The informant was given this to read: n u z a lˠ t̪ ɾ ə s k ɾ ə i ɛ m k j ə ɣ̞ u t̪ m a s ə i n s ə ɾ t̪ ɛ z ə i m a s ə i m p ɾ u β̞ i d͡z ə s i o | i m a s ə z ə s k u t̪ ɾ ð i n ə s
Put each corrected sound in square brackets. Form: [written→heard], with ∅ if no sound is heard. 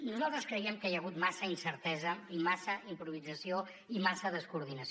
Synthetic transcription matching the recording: n u z a lˠ t̪ ɾ ə s k ɾ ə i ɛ m k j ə ɣ̞ u t̪ m a s ə i n s ə ɾ t̪ ɛ z ə i m a s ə i m p ɾ u β̞ i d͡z ə s i o | i m a s ə [z→ð] ə s k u [t̪→∅] ɾ ð i n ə s